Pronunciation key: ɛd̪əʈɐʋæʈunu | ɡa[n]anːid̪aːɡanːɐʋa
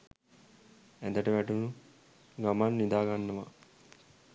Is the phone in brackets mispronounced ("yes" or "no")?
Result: yes